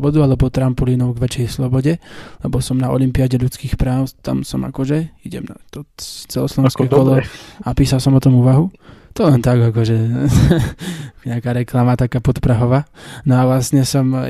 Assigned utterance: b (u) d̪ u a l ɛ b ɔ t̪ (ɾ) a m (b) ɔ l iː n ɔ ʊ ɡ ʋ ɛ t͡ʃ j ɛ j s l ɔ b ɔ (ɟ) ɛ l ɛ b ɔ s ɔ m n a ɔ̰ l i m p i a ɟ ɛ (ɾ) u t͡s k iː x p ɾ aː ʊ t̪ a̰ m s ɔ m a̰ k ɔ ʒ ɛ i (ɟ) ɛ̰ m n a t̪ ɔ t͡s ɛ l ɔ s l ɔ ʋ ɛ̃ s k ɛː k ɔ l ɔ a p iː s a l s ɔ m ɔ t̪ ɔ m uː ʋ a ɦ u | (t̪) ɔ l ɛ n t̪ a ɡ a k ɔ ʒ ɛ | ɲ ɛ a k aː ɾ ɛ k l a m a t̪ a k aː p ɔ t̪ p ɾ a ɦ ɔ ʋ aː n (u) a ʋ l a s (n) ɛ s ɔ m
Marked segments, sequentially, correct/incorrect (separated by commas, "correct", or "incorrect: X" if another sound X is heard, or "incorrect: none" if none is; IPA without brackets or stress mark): incorrect: ɔ, correct, incorrect: p, correct, incorrect: ʎ, correct, correct, incorrect: ɔ, incorrect: ɲ